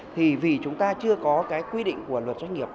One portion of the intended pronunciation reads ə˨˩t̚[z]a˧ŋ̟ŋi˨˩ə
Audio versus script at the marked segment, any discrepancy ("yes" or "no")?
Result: no